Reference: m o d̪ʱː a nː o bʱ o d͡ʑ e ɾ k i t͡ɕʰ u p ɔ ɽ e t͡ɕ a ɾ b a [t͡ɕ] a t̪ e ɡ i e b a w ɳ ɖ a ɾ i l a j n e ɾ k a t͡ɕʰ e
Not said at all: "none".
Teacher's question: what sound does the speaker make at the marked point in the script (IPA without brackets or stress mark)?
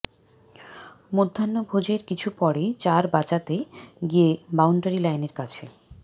t͡ɕ